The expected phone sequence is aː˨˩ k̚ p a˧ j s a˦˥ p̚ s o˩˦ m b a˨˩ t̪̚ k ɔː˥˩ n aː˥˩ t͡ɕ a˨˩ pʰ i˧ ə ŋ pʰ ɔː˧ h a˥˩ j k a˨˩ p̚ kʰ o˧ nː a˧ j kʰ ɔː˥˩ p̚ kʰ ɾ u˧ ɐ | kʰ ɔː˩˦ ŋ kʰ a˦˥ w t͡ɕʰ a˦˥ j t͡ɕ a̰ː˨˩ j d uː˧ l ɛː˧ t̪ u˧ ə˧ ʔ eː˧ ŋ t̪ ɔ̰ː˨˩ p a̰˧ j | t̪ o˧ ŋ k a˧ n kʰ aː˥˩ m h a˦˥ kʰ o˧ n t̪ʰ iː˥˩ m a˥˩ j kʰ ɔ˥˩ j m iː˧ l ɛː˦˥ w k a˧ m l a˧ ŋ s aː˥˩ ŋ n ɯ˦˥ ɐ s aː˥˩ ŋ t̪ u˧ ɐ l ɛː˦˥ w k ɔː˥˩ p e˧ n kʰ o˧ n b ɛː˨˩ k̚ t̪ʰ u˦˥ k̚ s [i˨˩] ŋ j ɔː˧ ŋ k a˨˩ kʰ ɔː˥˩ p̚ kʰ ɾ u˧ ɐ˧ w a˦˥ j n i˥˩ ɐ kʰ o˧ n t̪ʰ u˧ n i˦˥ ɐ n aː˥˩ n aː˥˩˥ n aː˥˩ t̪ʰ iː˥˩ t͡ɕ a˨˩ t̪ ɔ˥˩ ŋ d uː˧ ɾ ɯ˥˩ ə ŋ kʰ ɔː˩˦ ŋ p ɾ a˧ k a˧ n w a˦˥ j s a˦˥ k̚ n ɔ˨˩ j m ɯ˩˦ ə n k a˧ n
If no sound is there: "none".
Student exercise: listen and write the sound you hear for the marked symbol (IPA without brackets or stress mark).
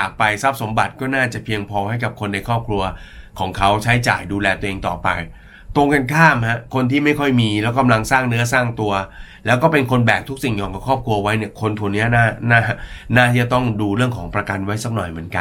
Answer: i˨˩